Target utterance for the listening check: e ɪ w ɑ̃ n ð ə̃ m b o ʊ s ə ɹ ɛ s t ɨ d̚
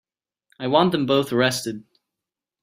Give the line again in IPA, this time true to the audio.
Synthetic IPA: a ɪ w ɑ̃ n ð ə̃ m b o ʊ θ ə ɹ ɛ s t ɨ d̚